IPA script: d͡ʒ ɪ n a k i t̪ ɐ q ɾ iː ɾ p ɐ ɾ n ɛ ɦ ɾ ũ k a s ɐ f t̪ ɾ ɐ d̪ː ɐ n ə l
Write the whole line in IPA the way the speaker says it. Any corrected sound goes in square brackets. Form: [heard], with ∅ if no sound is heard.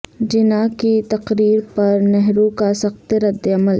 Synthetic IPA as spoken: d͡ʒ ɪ n a k i t̪ ɐ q ɾ iː ɾ p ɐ ɾ n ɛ ɦ ɾ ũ k a s ɐ [x] t̪ ɾ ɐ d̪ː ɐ [m] ə l